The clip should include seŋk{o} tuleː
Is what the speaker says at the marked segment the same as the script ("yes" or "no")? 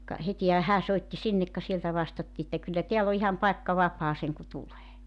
no